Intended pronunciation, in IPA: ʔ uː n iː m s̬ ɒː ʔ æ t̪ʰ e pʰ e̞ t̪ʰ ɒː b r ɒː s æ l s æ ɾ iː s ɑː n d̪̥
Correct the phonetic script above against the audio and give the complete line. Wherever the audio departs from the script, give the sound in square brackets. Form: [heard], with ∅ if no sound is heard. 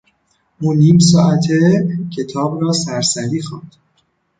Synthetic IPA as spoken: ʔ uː n iː m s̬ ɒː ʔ æ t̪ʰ e [cʰ] e̞ t̪ʰ ɒː b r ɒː s æ [ɾ] s æ ɾ iː [x] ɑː n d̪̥